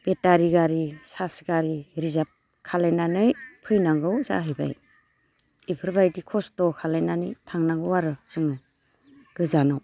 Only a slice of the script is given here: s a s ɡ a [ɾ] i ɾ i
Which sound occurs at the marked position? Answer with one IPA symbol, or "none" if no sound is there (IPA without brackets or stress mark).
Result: ɾ